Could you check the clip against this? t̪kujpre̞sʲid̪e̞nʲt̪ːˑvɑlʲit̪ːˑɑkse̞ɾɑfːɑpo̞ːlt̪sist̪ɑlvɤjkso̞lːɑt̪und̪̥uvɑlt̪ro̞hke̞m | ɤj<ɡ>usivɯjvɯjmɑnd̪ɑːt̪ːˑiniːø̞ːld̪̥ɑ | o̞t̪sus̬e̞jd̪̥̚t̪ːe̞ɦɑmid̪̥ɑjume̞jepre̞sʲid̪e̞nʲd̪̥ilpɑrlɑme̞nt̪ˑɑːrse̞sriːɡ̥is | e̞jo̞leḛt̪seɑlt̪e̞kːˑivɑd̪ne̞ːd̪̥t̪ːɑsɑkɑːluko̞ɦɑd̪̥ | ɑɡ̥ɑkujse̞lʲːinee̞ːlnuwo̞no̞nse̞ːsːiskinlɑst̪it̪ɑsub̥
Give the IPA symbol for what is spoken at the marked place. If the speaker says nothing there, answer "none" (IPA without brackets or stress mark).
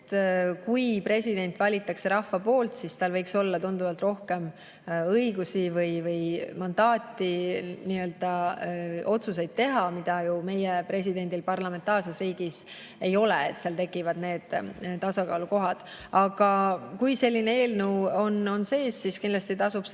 ɡ